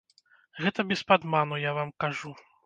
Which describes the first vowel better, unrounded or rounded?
unrounded